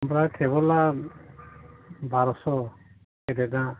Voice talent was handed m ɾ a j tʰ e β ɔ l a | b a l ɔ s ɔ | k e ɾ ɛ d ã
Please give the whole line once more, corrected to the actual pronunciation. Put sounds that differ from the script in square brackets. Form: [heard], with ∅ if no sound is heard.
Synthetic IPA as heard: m ɾ a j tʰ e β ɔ l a | b a [ɾ] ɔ s ɔ | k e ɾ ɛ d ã